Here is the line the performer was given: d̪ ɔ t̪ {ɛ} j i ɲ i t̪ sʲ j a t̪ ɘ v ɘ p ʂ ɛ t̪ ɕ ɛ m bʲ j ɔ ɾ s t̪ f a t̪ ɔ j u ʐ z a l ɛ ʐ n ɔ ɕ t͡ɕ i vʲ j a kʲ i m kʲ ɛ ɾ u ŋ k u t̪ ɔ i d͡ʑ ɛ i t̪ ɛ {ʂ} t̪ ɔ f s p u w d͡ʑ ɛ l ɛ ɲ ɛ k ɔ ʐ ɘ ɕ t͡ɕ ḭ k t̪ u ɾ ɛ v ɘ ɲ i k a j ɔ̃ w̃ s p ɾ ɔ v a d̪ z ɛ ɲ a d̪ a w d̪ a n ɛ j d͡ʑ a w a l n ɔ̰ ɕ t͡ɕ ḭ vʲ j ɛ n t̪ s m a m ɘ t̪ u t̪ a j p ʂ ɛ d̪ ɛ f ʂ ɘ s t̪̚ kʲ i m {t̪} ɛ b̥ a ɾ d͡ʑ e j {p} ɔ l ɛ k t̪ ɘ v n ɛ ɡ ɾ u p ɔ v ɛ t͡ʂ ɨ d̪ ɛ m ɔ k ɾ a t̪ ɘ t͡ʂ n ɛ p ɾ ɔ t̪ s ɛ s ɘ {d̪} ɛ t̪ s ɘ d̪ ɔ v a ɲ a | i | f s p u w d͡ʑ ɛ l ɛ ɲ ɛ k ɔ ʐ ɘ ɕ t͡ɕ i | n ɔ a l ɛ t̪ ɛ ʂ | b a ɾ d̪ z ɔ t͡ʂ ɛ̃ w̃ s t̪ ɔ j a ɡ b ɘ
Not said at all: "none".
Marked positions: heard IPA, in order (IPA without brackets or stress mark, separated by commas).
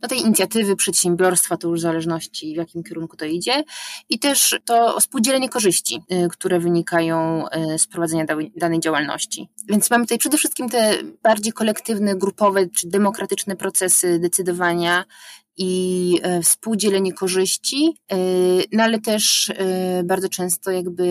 ɛ, ʂ, t̪, k, d̪